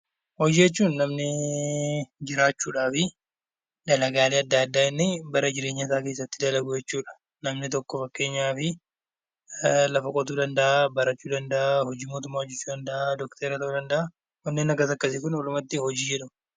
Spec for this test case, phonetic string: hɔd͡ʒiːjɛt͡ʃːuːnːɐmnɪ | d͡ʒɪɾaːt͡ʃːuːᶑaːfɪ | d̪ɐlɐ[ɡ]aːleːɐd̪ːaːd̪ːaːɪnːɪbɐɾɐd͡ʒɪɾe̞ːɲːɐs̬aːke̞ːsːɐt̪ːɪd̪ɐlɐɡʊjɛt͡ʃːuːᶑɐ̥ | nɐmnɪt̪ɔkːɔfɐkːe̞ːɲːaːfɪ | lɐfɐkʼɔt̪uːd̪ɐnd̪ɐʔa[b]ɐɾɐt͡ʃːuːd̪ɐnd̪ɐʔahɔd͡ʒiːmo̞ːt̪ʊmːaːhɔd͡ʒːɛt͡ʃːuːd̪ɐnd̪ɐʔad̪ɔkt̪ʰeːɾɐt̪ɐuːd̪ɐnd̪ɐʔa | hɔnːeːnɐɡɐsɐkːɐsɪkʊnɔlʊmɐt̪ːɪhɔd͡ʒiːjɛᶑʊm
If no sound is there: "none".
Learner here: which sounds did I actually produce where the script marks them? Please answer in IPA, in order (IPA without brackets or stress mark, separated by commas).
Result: ɡ, b